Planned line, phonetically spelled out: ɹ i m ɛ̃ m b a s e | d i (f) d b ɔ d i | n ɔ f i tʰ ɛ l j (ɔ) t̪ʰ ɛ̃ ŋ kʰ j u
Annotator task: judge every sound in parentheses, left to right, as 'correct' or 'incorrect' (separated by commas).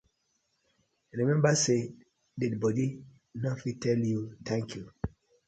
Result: incorrect, incorrect